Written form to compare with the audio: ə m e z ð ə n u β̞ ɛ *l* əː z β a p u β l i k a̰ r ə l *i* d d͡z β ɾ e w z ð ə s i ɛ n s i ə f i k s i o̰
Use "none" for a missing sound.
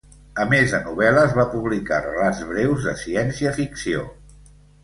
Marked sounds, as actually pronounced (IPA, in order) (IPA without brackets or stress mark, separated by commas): l, a